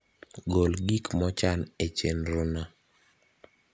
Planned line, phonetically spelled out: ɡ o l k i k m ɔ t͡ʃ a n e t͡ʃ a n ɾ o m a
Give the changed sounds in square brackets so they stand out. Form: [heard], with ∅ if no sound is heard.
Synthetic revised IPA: ɡ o l [ɡ] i k m ɔ t͡ʃ a n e t͡ʃ [e] n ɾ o [n] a